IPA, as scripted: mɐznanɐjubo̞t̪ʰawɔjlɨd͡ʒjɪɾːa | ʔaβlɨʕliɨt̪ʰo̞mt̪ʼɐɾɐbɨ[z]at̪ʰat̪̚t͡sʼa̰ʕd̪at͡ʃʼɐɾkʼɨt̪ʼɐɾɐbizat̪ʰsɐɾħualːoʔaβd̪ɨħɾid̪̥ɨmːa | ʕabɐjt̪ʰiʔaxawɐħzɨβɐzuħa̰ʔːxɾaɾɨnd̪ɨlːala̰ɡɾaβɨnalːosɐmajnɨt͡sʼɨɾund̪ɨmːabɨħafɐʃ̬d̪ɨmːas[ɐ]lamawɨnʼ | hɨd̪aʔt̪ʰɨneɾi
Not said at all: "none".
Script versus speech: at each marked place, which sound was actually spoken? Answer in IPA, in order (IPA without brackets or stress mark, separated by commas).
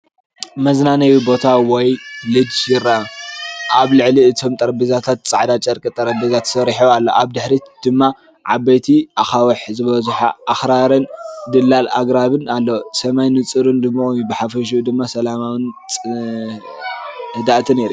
z, ɐ